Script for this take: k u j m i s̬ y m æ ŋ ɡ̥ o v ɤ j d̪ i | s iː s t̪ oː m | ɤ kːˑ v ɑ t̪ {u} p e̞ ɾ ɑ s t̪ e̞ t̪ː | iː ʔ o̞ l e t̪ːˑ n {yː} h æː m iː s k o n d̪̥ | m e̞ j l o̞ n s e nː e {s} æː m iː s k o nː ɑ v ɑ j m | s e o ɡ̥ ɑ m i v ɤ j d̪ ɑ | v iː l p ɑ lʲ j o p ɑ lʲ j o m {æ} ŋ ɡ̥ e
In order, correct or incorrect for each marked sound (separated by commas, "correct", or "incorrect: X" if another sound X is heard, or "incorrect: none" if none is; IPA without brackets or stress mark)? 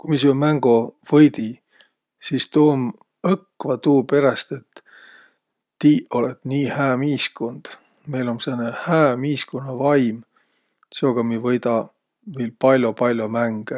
incorrect: uː, incorrect: iː, incorrect: h, correct